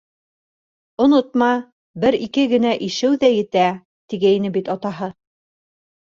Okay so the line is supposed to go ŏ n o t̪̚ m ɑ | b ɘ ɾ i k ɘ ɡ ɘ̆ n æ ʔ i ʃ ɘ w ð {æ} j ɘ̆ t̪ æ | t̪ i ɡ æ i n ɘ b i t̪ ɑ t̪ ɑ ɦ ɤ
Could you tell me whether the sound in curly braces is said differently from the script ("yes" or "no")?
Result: no